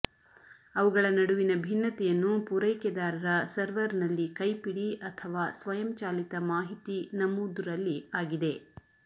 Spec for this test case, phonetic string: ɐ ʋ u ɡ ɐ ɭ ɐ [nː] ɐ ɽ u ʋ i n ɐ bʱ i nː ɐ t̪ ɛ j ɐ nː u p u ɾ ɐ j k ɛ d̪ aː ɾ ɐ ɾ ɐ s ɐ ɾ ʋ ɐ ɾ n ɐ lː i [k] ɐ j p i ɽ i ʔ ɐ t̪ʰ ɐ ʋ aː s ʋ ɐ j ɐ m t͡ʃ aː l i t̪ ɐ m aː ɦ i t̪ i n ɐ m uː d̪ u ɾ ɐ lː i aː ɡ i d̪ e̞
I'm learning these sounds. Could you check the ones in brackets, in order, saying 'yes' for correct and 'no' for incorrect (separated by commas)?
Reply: no, yes